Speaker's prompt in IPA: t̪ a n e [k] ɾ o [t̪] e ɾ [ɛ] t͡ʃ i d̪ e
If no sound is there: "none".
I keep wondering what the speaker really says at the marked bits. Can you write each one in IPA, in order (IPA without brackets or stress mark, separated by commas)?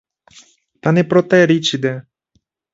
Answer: p, t̪, i